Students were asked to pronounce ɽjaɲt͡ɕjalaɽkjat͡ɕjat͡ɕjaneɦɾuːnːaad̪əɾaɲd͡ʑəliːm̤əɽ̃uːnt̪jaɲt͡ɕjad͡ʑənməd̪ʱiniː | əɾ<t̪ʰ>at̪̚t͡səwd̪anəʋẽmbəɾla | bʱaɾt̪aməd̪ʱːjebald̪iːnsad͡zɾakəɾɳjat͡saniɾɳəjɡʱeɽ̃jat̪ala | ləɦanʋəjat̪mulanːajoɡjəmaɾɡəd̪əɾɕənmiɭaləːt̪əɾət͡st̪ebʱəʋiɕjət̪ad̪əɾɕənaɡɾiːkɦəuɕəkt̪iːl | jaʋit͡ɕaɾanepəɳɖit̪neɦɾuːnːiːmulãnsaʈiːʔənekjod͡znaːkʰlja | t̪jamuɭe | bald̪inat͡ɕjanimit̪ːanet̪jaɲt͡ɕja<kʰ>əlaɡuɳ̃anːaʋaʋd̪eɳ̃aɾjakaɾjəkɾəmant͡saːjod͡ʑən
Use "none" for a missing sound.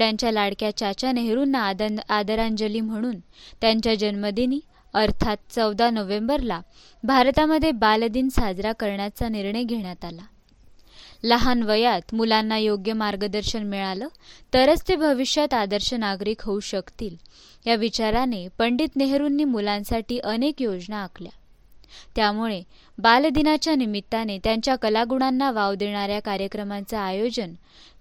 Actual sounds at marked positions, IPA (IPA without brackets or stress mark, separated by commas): t̪ʰ, k